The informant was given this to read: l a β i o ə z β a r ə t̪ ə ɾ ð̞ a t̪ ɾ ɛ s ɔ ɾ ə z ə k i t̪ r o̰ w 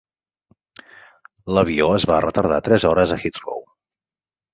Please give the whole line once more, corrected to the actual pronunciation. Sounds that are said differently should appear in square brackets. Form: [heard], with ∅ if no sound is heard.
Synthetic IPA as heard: l [ə] β i o ə z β a r ə t̪ ə ɾ ð̞ a t̪ ɾ ɛ [z] ɔ ɾ ə z ə [x] i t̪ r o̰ w

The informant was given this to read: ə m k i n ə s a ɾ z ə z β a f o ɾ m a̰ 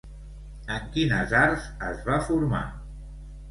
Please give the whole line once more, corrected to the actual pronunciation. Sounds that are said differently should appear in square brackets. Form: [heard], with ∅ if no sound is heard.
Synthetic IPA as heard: ə [ŋ] k i n ə [z] a ɾ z ə z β a f [u] ɾ m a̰

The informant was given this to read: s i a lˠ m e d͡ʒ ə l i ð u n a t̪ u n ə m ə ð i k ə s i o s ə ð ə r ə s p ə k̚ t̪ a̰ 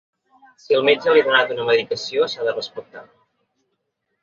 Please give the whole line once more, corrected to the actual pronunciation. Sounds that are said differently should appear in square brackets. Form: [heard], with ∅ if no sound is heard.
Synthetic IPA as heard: s i [ə] lˠ m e d͡ʒ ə l i ð u n a t̪ u n ə m ə ð i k ə s i o s [a] ð ə r ə s p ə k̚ t̪ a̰

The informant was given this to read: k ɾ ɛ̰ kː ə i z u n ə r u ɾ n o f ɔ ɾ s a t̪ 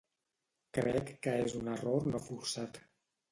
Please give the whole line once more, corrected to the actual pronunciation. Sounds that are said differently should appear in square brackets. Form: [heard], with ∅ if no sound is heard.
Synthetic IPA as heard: k ɾ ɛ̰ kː ə [e] z u n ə r [o] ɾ n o f [u] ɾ s a t̪

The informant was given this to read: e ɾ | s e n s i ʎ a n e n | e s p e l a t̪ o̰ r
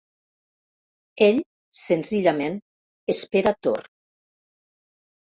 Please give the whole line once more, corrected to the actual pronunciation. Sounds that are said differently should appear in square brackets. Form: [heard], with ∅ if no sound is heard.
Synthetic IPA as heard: e [ʎ] | s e n [z] i ʎ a [m] e n | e s p e [ɾ] a t̪ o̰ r

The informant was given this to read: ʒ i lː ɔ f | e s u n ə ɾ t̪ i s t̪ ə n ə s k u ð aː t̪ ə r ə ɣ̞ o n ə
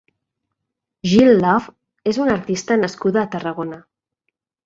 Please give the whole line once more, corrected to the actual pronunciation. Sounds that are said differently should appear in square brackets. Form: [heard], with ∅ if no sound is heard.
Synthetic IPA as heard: ʒ i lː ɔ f | e [z] u n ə ɾ t̪ i s t̪ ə n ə s k u ð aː t̪ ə r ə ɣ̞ o n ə

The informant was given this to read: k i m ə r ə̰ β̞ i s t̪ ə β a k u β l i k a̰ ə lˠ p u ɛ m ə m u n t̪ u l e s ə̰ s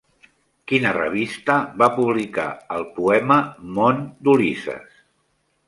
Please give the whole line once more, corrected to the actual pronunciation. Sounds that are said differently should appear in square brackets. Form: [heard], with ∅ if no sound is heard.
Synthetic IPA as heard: k i [n] ə r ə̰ β̞ i s t̪ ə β a [p] u β l i k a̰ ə lˠ p u ɛ m ə m [o] n [d̪] u l [i] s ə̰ s

